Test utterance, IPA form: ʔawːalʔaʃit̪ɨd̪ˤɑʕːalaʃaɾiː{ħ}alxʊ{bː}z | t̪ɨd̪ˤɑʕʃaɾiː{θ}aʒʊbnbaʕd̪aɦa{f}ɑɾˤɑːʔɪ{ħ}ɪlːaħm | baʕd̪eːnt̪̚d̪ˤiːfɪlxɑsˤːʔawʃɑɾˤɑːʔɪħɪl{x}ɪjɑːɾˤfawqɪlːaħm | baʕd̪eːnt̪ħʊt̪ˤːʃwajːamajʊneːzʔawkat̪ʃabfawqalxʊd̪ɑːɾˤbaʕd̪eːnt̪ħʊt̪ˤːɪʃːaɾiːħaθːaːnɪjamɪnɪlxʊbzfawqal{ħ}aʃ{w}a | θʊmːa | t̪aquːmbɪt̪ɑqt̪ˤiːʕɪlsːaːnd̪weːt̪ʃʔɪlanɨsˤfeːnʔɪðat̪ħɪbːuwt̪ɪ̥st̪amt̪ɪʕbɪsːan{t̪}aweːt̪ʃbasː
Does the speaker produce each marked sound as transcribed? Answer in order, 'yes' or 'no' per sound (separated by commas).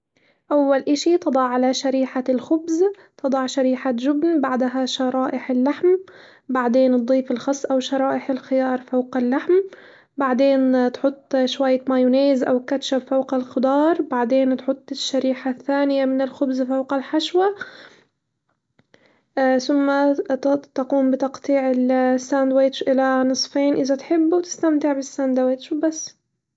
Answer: yes, no, no, no, yes, yes, yes, yes, no